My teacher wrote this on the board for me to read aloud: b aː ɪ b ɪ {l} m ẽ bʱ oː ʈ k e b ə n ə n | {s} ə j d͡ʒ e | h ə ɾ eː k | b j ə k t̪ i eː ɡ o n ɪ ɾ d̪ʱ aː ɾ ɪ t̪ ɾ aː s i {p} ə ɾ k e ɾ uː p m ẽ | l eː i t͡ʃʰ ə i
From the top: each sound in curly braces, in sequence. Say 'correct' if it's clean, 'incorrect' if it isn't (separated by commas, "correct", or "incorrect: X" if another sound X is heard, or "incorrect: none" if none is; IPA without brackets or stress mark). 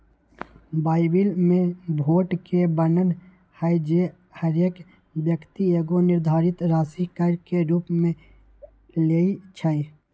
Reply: correct, incorrect: h, incorrect: k